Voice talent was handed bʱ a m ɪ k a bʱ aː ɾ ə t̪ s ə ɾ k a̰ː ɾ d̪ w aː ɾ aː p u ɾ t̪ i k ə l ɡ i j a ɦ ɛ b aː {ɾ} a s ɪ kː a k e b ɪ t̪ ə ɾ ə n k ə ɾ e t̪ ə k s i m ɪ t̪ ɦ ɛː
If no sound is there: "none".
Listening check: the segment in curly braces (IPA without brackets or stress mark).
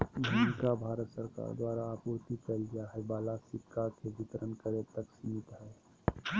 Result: l